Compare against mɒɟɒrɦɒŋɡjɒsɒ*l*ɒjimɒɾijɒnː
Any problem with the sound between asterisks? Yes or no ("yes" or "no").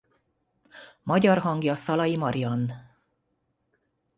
no